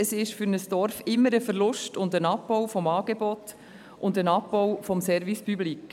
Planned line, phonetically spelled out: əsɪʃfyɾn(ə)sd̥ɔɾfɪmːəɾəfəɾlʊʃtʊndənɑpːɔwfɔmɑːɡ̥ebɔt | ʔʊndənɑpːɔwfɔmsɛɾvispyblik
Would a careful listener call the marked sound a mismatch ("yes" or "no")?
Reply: no